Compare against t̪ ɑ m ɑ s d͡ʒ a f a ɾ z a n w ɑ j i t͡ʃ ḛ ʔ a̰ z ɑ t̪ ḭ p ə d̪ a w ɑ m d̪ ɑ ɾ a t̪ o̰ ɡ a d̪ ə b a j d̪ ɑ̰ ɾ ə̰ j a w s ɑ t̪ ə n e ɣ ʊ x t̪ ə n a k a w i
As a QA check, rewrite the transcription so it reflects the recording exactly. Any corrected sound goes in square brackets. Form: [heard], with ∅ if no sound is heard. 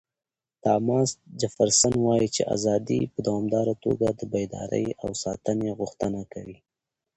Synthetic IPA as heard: t̪ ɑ m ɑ s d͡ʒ a f a ɾ [s] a n w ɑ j i t͡ʃ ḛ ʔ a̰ z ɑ [d̪] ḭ p ə d̪ a w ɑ m d̪ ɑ ɾ a t̪ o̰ ɡ a d̪ ə b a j d̪ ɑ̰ ɾ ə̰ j a w s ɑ t̪ ə n e ɣ ʊ x t̪ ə n a k a w i